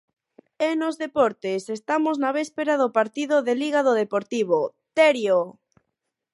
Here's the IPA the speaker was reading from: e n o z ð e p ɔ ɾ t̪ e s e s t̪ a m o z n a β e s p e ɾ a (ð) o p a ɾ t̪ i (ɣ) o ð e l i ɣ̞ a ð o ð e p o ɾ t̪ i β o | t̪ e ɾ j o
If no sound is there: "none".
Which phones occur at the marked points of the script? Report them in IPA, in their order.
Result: ð, ð

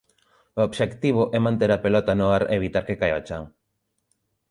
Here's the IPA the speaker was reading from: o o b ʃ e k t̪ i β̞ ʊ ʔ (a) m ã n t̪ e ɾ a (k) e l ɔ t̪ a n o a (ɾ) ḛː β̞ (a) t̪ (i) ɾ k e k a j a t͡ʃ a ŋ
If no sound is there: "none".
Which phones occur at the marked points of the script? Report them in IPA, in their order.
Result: ɛ, p, ɾ, i, a

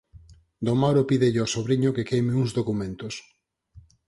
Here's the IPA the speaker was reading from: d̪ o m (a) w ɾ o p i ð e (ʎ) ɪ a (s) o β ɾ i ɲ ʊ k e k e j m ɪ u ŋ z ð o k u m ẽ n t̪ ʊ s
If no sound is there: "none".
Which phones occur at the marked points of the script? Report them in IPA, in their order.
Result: a, ʎ, s

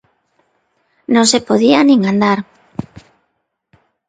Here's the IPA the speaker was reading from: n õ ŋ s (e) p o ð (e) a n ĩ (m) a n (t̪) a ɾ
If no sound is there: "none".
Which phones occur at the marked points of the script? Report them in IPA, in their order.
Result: e, i, ŋ, d̪

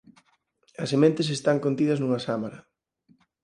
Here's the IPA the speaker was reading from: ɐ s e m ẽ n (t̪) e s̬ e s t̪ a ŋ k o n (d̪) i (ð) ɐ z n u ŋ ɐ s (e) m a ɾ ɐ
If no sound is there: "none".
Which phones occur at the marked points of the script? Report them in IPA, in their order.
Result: t̪, t̪, ð, a

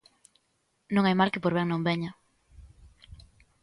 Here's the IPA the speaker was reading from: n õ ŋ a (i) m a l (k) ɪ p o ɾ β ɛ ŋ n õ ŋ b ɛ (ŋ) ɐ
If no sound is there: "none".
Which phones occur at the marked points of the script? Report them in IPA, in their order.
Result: j, k, ɲ

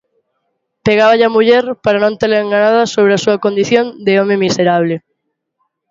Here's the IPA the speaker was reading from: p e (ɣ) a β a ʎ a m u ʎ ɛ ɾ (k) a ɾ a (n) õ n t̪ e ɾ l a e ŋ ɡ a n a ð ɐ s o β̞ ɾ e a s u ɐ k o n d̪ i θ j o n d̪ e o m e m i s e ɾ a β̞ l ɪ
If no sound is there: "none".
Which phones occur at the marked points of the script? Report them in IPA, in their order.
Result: ɣ, p, n

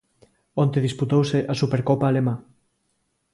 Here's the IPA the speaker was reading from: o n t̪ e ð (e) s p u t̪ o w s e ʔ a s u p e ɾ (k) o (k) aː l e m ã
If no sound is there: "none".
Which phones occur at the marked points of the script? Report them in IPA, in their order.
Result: i, k, p

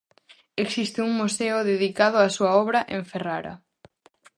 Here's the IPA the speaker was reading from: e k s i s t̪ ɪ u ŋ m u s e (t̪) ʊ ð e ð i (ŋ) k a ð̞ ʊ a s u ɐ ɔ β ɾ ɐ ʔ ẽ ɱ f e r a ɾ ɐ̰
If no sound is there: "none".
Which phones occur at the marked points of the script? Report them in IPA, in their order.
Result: none, none

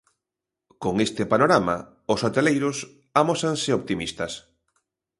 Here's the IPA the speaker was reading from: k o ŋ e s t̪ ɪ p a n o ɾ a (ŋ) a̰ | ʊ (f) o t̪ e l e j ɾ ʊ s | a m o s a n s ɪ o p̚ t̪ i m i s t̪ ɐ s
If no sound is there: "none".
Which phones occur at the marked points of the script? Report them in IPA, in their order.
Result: m, s

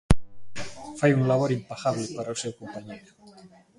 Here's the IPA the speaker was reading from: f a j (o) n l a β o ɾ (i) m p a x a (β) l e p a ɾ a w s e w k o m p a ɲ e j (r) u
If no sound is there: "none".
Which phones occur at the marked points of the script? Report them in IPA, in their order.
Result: u, i, β, ɾ

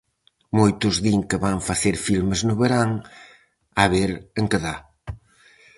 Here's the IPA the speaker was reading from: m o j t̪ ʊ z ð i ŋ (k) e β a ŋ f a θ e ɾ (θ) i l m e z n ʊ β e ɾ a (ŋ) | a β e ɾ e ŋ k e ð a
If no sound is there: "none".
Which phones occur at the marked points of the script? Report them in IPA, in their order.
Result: k, f, ŋ

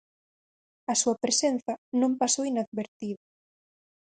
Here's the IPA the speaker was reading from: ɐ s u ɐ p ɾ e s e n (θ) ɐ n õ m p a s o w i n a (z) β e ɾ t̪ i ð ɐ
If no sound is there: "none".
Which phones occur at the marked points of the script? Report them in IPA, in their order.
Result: θ, ð

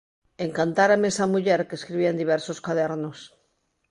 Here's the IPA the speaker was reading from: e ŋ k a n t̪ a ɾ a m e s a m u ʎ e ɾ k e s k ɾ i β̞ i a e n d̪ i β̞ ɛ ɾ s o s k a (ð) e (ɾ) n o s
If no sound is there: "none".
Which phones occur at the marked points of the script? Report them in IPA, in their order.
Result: ð, ɾ

